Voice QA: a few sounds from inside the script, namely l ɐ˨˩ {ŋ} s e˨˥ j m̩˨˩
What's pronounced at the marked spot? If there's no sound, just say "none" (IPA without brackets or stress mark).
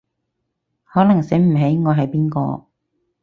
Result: ŋ